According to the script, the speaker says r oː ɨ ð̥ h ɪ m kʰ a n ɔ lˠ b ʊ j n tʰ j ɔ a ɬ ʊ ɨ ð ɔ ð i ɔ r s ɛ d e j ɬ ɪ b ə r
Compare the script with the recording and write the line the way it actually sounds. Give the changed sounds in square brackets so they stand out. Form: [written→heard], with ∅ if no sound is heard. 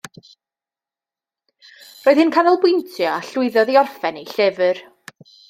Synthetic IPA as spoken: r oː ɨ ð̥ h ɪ [m→n] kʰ a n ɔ lˠ b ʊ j n tʰ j ɔ a ɬ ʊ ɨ ð ɔ ð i ɔ r [s→f] ɛ [d→n] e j ɬ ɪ [b→v] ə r